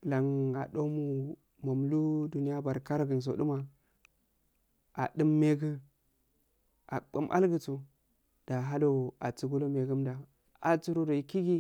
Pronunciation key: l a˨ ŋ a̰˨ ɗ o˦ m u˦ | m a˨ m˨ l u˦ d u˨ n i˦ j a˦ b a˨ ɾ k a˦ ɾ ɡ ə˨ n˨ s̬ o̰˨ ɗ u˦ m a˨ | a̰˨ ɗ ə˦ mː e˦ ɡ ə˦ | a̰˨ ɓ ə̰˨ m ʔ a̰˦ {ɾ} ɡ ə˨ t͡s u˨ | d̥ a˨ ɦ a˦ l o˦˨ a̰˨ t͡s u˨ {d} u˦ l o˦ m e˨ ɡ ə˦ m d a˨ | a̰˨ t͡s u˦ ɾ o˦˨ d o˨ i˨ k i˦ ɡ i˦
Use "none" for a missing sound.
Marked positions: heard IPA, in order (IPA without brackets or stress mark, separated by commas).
l, ɡ